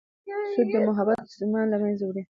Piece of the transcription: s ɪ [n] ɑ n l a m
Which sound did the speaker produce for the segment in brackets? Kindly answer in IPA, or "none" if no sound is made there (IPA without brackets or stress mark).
m